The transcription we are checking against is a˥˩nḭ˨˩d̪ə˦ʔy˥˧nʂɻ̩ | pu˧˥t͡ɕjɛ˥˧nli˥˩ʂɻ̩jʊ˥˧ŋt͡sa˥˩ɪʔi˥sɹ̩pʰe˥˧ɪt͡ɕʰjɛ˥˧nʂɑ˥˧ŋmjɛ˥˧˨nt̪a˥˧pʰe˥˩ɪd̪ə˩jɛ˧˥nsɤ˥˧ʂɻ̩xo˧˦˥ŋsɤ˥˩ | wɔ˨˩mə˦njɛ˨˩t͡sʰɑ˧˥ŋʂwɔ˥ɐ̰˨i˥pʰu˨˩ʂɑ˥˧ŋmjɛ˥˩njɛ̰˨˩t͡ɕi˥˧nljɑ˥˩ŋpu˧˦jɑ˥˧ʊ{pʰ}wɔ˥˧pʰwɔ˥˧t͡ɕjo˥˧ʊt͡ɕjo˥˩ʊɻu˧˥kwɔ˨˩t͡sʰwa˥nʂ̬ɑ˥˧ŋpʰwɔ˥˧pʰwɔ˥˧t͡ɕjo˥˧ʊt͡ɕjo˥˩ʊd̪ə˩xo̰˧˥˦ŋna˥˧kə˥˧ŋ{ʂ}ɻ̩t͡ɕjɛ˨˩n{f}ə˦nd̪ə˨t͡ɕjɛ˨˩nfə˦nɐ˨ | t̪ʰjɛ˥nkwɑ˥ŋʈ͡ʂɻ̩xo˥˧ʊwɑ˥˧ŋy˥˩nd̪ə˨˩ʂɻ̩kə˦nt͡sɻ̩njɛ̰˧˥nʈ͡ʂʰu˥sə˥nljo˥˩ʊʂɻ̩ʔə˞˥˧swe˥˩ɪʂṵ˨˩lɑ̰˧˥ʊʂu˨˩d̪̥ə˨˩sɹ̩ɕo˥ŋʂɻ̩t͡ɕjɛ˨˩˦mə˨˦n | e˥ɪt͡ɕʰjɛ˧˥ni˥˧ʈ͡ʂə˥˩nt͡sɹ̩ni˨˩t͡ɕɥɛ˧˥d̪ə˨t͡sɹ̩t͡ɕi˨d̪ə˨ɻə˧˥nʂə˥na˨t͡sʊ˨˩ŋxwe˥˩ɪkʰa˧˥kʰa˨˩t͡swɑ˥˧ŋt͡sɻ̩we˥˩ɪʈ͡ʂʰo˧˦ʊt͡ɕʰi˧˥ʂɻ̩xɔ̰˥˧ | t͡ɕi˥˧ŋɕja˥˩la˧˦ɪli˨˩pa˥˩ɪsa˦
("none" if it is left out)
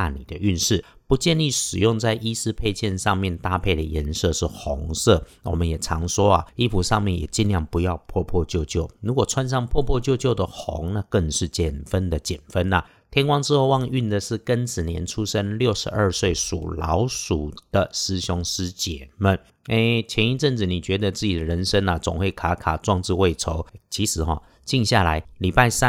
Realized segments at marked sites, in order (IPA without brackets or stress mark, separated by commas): pʰ, ʂ, f